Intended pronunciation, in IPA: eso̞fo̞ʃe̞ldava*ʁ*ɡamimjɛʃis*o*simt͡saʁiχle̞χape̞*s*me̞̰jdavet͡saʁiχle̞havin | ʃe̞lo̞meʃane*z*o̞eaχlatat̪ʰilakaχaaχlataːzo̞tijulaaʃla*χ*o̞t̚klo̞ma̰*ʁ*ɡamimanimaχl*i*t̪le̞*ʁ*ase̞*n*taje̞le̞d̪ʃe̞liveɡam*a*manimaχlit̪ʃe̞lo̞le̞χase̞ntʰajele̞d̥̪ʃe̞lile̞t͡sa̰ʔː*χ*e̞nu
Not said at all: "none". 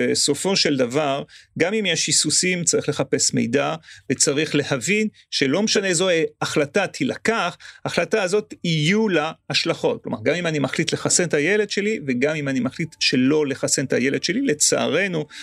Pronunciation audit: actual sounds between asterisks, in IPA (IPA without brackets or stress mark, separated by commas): ʁ, u, s, z, χ, ʁ, i, χ, n, i, ʁ